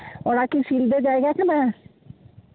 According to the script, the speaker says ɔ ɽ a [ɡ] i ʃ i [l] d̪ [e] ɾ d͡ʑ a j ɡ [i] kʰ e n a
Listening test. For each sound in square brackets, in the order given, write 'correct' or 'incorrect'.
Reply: incorrect: k, correct, correct, incorrect: a

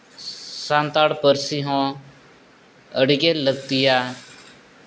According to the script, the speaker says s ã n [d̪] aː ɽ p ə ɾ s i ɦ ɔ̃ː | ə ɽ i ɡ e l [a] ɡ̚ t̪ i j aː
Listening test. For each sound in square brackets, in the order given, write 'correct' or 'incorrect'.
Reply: incorrect: t̪, incorrect: ə

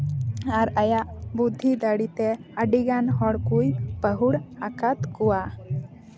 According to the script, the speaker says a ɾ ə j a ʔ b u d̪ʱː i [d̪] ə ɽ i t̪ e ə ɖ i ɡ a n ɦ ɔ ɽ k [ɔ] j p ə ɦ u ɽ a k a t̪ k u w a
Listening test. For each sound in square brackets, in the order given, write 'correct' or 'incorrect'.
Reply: correct, incorrect: u

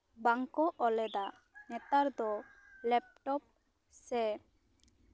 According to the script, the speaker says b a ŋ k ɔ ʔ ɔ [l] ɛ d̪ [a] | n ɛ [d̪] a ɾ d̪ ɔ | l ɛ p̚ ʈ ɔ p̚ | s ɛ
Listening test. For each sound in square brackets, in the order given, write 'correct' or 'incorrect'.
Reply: correct, correct, incorrect: t̪

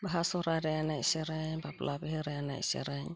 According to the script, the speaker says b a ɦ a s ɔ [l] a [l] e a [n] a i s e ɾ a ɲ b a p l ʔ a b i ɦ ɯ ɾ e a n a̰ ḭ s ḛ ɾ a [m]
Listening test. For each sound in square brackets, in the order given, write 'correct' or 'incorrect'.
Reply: incorrect: ɾ, incorrect: ɾ, correct, incorrect: ɲ

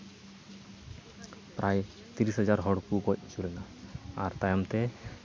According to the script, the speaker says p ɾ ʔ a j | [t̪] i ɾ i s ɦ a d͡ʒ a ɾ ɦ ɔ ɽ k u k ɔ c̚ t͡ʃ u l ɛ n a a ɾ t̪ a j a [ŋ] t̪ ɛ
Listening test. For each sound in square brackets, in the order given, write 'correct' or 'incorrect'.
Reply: correct, incorrect: m

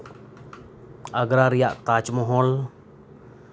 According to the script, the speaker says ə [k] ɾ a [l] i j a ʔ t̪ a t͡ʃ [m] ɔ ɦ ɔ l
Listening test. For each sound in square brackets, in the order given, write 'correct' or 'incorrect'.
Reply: incorrect: ɡ, incorrect: ɾ, correct

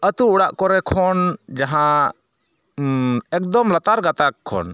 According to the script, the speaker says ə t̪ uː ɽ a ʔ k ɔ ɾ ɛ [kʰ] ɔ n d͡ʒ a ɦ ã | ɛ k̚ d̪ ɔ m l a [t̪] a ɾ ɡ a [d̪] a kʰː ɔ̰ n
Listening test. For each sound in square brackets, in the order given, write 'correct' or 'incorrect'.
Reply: correct, correct, incorrect: t̪

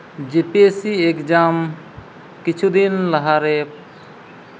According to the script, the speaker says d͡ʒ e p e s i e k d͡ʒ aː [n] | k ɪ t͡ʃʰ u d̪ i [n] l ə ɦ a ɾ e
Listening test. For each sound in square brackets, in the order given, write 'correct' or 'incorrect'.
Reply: incorrect: m, correct

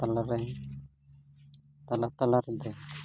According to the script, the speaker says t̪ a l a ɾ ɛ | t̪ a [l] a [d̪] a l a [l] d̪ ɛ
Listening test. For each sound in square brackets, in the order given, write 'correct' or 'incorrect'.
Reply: correct, incorrect: t̪, incorrect: ɾ

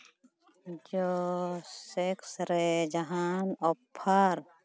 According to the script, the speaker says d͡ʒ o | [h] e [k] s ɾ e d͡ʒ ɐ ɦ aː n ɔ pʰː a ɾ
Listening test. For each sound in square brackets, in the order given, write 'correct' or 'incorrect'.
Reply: incorrect: s, correct

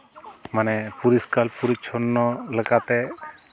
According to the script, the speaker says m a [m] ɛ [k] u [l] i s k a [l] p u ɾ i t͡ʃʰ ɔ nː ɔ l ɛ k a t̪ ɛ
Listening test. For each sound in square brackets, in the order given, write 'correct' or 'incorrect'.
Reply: incorrect: n, incorrect: p, incorrect: ɾ, correct

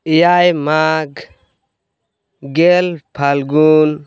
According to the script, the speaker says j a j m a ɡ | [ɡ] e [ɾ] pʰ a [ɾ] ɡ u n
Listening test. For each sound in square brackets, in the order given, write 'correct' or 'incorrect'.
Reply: correct, incorrect: l, incorrect: l

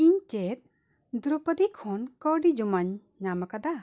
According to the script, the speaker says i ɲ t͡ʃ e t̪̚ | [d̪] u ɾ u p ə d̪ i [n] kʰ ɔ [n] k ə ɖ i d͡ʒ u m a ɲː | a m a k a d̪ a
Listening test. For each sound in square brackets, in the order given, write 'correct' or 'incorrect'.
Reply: correct, incorrect: none, correct

